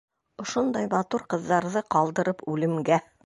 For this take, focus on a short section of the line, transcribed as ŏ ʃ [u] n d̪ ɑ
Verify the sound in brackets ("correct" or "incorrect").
incorrect